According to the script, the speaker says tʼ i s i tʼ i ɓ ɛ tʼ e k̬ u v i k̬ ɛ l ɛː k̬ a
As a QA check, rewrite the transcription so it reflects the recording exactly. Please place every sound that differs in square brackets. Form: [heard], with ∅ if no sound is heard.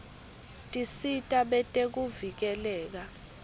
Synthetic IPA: tʼ i s i tʼ [a] ɓ ɛ tʼ e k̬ u v i k̬ ɛ l ɛː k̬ a